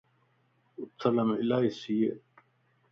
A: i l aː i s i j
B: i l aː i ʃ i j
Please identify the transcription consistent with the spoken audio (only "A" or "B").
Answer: A